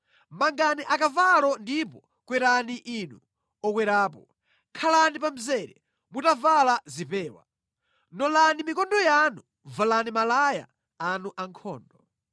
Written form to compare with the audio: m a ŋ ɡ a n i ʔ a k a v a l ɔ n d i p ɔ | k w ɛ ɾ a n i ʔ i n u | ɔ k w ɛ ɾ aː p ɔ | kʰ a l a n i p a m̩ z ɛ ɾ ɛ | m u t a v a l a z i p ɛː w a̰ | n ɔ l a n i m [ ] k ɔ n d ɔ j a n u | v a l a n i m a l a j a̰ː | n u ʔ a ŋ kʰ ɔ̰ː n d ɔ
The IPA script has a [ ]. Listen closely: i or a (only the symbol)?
i